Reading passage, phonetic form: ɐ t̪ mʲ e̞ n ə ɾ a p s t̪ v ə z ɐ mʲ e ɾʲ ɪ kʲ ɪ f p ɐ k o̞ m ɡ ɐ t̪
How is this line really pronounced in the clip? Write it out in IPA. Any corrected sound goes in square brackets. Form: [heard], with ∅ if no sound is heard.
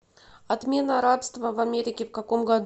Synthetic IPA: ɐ t̪ mʲ e̞ n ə ɾ a p s t̪ v ə [v] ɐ mʲ e ɾʲ ɪ kʲ ɪ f [k] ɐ k o̞ m ɡ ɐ [d̪]